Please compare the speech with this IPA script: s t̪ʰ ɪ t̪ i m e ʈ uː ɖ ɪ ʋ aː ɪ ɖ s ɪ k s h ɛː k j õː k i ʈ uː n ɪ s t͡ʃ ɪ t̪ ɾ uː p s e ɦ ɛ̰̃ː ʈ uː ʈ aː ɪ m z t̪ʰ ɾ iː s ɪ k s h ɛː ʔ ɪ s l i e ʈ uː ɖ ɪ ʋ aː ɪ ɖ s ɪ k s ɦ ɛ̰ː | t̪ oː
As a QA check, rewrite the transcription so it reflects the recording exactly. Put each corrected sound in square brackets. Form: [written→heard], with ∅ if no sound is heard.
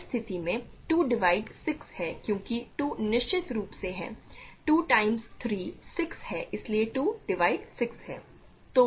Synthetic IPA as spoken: s t̪ʰ ɪ t̪ i m [e→ẽ] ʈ uː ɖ ɪ ʋ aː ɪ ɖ s ɪ k s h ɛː k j õː k i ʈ uː n ɪ [s→ʃ] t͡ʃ ɪ t̪ ɾ uː p s e ɦ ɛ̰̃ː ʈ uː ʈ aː ɪ m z t̪ʰ ɾ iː s ɪ k s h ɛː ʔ ɪ s l i e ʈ uː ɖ ɪ ʋ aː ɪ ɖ s ɪ k s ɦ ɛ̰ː | t̪ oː

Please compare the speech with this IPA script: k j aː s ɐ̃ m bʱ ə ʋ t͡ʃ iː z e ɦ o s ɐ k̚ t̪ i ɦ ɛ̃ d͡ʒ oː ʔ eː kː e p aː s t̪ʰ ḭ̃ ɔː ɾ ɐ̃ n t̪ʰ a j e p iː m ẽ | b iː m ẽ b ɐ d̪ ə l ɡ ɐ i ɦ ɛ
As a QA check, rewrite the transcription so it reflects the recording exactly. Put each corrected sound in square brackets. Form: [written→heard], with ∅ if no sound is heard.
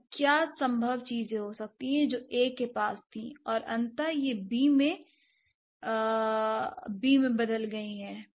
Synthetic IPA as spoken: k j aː s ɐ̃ m bʱ ə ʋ t͡ʃ iː z [e→ẽ] ɦ o s ɐ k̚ t̪ i ɦ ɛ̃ d͡ʒ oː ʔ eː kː e p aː s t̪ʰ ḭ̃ ɔː ɾ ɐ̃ n [t̪ʰ→t̪] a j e [p→b] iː m ẽ | b iː m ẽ b ɐ d̪ ə l ɡ ɐ i ɦ [ɛ→ɛː]

